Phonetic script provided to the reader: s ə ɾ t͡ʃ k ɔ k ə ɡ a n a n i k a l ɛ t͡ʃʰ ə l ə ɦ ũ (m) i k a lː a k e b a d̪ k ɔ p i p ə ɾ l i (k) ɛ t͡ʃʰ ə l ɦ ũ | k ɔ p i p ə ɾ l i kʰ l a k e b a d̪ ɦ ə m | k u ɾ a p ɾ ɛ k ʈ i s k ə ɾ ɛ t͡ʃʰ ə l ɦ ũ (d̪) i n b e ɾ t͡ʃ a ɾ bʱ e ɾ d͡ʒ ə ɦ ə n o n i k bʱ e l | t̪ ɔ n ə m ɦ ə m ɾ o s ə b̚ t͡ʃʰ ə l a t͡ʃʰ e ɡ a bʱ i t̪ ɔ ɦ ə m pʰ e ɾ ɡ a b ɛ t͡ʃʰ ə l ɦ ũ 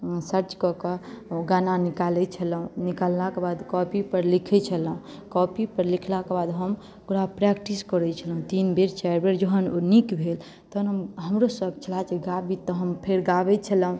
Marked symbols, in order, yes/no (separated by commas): no, no, no